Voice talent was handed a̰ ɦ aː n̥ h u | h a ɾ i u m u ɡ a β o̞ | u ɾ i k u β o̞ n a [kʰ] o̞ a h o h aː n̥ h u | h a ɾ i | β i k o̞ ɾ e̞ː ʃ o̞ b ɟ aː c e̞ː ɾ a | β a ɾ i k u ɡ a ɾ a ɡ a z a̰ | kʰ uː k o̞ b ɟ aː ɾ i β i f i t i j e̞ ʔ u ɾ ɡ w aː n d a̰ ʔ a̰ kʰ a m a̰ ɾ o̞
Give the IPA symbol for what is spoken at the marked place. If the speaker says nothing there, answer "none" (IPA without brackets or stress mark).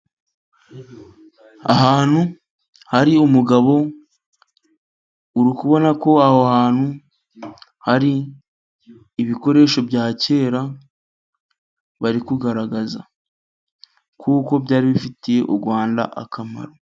k